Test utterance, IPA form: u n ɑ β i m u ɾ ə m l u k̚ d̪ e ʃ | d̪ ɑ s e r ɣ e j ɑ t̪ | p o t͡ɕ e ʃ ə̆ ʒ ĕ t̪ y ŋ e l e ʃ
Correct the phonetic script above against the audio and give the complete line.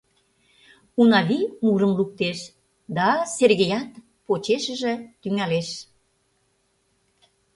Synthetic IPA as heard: u n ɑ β i m u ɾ ə m l u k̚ t̪ e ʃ | d̪ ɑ s e r ɣ e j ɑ t̪ | p o t͡ɕ e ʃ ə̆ ʒ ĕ t̪ y ŋ æ l e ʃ